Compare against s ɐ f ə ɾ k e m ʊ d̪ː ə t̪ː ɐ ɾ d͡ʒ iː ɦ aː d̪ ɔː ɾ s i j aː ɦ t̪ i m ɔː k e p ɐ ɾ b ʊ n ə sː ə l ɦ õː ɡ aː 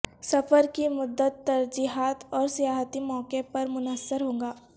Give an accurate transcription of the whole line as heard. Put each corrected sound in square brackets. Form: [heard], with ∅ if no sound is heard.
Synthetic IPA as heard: s ɐ f ə ɾ k [i] m ʊ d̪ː ə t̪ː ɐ ɾ d͡ʒ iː ɦ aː [t̪] ɔː ɾ s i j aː ɦ t̪ i m ɔː k e p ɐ ɾ [m] ʊ n ə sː ə [ɾ] ɦ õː ɡ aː